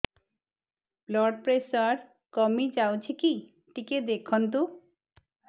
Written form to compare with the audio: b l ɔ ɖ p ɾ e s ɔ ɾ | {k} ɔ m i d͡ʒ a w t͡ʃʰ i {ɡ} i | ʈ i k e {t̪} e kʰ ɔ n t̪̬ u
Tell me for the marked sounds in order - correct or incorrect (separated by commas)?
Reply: correct, incorrect, incorrect